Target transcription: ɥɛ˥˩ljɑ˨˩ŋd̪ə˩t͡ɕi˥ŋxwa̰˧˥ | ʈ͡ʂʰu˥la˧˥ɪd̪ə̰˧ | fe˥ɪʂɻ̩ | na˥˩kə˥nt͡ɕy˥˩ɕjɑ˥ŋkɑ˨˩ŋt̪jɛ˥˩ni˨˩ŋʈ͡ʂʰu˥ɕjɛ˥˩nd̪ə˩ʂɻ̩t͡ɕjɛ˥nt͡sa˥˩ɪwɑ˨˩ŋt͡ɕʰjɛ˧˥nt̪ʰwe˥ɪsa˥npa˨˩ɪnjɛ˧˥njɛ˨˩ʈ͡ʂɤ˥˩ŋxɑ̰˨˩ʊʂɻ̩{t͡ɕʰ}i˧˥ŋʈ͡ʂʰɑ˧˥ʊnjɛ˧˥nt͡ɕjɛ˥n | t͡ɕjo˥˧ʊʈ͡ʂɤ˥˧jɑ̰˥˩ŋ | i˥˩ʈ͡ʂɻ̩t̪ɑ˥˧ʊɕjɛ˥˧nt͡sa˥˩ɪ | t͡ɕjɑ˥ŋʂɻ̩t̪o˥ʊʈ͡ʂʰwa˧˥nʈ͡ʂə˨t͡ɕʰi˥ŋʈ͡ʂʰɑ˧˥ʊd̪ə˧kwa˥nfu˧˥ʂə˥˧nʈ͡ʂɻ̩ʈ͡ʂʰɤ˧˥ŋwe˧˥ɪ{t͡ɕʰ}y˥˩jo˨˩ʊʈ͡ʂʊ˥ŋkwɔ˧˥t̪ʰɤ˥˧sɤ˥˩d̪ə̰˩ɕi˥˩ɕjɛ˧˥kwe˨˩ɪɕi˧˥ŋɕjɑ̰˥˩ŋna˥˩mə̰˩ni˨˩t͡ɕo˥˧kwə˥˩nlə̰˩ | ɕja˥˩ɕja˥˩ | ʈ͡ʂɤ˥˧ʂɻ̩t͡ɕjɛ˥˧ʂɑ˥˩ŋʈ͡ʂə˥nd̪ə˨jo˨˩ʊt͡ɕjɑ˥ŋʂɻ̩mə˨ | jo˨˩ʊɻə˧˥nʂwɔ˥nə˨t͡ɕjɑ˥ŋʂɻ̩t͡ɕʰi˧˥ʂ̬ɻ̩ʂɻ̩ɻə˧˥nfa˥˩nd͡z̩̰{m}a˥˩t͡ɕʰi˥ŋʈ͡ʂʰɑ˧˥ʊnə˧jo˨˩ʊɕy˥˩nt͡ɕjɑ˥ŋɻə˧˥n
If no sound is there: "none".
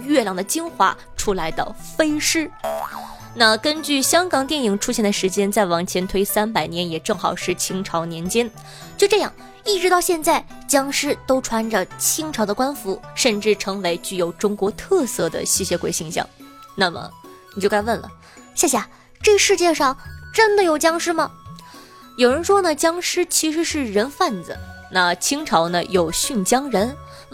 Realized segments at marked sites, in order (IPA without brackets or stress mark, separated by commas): t͡ɕʰ, t͡ɕ, n